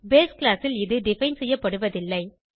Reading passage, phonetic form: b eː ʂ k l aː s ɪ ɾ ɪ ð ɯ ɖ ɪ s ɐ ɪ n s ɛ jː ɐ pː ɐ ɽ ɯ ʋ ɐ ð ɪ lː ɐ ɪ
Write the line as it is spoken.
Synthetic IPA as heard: b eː s k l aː s ɪ l ɪ ð ɯ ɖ ɪ f ɐ ɪ n s ɛ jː ɐ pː ɐ ɽ ɯ ʋ ɐ ð ɪ lː ɐ ɪ